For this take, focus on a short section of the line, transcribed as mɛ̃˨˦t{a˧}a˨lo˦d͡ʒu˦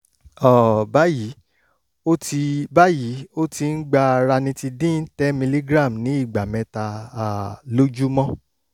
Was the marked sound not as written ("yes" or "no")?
no